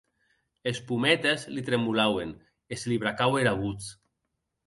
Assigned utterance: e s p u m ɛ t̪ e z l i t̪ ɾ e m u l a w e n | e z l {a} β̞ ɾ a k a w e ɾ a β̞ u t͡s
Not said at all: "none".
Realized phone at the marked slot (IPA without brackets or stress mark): i